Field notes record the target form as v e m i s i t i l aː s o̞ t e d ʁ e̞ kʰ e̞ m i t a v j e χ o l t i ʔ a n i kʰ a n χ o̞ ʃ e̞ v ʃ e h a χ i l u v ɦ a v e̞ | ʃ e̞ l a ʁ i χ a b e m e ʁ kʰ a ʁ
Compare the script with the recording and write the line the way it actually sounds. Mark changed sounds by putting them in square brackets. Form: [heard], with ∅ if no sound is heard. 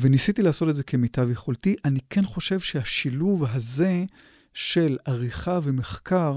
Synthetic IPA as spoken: v e [n] i s i t i l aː s o̞ t e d [z] e̞ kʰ e̞ m i t a v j e χ o l t i ʔ a n i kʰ [e] n χ o̞ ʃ e̞ v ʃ e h a [ʃ] i l u v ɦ a [z] e̞ | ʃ e̞ l a ʁ i χ a [v] e m e [χ] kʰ a ʁ